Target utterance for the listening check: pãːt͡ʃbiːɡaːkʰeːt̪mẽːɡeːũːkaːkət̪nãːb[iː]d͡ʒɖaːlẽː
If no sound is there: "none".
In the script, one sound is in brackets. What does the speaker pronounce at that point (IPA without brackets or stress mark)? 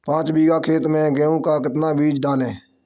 iː